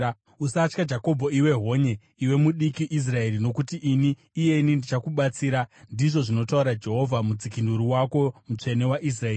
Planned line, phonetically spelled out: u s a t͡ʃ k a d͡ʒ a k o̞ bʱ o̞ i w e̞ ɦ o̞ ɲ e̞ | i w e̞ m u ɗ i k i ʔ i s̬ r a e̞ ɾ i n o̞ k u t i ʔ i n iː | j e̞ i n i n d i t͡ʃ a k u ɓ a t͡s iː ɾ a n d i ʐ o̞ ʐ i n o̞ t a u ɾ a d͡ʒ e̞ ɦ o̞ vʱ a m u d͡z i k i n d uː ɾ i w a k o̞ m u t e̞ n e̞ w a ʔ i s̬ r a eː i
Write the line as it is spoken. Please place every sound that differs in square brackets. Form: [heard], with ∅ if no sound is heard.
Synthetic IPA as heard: u s a t͡ʃ k a d͡ʒ a k o̞ bʱ o̞ i w e̞ ɦ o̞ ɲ e̞ | i w e̞ m u ɗ i k i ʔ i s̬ r a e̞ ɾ i n o̞ k u t i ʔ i n iː | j e̞ i n i n d i t͡ʃ a k u ɓ a t͡s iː ɾ a n d i ʐ o̞ ʐ i n o̞ t a u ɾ a d͡ʒ e̞ ɦ o̞ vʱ a m u d͡z i k i n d [u] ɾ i w a k o̞ m u [t͡ʂ] e̞ n e̞ w a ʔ i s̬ r a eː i